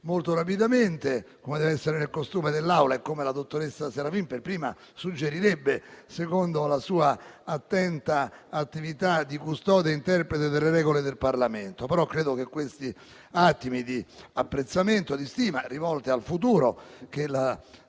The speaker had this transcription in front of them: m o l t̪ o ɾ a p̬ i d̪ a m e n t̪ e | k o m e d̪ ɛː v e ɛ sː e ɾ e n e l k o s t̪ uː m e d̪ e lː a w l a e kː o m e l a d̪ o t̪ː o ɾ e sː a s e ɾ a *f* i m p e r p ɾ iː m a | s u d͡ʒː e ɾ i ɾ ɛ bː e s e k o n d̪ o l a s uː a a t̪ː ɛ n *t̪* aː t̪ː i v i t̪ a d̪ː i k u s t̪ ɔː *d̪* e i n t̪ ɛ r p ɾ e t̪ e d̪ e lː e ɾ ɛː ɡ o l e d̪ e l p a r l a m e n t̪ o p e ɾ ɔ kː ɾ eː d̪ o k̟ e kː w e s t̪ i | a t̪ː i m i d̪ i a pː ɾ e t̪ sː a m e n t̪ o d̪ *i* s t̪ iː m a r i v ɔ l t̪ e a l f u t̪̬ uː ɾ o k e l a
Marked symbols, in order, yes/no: yes, yes, yes, yes

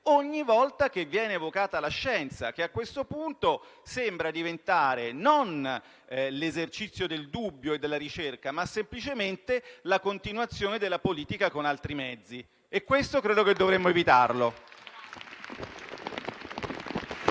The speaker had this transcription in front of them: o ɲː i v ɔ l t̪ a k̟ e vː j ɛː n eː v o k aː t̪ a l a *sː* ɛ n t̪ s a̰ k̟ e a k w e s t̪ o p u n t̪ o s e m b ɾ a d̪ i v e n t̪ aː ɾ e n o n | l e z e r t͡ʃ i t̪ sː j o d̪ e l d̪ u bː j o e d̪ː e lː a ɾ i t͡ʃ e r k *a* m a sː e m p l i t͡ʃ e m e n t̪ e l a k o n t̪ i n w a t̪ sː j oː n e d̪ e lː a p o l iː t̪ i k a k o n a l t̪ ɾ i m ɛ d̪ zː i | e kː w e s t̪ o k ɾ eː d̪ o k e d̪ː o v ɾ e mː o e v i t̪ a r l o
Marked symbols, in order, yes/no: no, yes

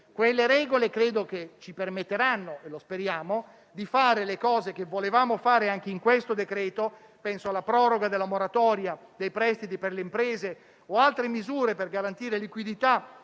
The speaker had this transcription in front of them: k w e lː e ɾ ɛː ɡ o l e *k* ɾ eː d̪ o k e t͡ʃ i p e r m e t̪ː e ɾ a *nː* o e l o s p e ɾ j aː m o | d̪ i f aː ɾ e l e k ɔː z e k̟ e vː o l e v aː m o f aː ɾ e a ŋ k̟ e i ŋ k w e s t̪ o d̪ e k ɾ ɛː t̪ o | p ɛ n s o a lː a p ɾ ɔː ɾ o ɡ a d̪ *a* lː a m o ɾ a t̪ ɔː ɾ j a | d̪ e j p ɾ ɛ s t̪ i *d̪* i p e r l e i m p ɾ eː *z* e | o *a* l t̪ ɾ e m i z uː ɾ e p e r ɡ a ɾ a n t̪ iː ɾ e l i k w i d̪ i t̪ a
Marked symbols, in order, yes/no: yes, yes, no, no, yes, yes

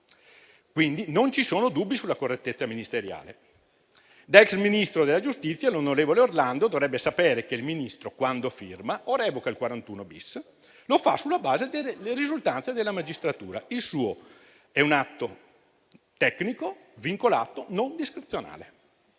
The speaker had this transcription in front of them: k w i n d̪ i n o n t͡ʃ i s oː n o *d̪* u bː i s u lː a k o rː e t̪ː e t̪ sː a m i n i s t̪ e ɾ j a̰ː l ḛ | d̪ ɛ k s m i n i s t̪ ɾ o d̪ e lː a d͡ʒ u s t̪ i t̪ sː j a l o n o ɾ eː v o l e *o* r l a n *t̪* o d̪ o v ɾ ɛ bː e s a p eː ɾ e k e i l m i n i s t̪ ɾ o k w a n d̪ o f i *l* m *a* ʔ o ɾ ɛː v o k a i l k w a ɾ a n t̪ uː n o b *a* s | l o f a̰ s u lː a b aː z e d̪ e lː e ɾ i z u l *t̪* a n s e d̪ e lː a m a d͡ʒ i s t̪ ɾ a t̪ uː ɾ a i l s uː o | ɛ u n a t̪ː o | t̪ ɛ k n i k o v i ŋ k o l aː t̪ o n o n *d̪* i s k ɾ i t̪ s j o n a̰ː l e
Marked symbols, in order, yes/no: yes, yes, no, no, yes, no, yes, yes

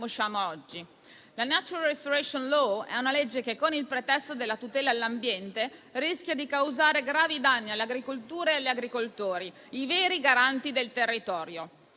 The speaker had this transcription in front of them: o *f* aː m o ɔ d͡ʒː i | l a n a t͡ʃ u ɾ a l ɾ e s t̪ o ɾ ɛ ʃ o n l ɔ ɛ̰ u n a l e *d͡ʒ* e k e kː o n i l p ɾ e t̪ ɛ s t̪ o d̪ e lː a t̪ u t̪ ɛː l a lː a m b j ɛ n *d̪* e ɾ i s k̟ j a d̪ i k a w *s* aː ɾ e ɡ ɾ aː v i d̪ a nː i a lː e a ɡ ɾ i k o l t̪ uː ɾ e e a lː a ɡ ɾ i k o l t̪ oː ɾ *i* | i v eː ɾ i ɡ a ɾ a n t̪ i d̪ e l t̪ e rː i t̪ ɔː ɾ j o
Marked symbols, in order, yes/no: no, no, no, no, yes

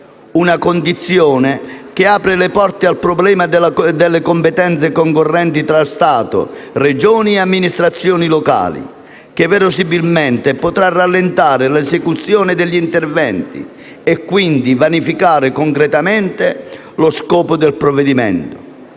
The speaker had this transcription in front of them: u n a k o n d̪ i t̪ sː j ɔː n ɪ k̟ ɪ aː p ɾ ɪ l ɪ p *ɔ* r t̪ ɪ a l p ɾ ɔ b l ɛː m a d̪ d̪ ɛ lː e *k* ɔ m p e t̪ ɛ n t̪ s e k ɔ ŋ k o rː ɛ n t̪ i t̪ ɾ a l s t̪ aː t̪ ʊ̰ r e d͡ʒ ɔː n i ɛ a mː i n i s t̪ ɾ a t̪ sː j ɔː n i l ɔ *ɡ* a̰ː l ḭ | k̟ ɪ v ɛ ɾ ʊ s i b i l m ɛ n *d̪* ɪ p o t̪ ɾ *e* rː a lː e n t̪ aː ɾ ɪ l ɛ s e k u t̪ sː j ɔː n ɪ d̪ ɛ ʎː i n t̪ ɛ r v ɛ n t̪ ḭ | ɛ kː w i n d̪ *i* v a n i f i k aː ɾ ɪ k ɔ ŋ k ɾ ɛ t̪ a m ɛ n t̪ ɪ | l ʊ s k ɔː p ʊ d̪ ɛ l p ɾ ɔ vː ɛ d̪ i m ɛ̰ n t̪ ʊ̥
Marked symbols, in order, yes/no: yes, yes, no, no, no, yes

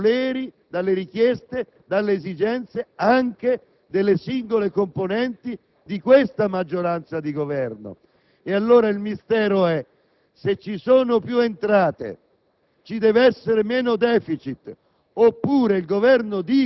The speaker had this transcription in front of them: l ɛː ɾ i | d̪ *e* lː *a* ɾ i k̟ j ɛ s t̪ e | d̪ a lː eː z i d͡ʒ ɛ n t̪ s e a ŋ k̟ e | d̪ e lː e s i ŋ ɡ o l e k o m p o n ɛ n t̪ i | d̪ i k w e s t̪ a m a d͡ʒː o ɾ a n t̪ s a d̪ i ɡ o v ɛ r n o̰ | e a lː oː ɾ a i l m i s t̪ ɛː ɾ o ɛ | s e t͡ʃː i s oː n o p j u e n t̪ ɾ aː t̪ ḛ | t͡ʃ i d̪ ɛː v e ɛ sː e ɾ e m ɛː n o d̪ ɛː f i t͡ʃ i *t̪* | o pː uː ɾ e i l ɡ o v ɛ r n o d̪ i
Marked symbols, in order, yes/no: no, no, yes

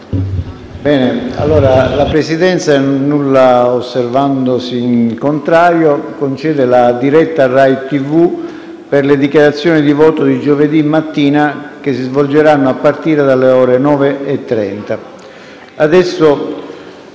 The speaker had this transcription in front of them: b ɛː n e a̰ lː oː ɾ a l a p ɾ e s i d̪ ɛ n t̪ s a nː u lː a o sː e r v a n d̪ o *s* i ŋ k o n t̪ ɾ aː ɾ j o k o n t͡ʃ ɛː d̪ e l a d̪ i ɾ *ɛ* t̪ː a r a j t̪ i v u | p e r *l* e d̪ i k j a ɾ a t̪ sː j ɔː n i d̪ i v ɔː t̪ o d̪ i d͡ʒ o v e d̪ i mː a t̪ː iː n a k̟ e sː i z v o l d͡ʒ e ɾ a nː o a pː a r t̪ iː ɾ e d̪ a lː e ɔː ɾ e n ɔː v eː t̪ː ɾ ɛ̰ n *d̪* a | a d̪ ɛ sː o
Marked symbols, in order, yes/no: yes, yes, yes, no

